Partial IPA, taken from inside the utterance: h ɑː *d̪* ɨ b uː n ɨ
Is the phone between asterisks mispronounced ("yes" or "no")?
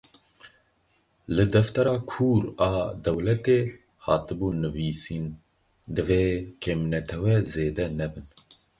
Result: yes